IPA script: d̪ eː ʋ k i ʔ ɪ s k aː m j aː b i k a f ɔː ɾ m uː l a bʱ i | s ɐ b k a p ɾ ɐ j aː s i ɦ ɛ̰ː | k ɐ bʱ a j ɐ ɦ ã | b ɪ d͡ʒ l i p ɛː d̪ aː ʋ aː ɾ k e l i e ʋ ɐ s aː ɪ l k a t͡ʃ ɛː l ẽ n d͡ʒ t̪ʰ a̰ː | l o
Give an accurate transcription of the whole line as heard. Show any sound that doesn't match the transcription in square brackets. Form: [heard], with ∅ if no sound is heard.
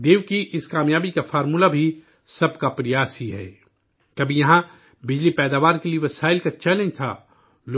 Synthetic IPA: d̪ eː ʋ k i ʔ ɪ s k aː m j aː b i k a f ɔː ɾ m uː l a bʱ i | s ɐ b k a p ɾ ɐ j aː s i ɦ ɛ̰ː | k ɐ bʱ [i] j ɐ ɦ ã | b ɪ d͡ʒ l i p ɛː d̪ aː ʋ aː ɾ k e l i e ʋ ɐ s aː ɪ l k a t͡ʃ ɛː l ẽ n d͡ʒ t̪ʰ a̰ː | l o